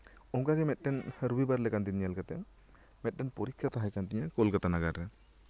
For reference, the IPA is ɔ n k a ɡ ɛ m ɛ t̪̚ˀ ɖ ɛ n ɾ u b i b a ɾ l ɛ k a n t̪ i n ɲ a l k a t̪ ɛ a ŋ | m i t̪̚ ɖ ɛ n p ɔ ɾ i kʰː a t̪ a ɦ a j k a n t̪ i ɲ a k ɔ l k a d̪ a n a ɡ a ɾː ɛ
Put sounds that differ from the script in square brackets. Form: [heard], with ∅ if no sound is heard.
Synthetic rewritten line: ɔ [ŋ] k a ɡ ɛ m ɛ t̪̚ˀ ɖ ɛ n ɾ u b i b a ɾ l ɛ k a n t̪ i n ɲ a l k a t̪ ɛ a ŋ | m [ɛ] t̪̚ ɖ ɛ n p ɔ ɾ i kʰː a t̪ a ɦ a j k a n t̪ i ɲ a k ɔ l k a [t̪] a n a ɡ a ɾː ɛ